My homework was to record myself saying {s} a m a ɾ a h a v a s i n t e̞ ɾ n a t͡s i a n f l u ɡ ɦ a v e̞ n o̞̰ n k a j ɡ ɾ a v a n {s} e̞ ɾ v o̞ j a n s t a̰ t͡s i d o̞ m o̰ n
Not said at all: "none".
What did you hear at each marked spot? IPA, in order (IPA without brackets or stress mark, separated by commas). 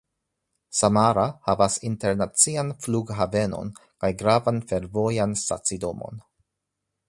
s, f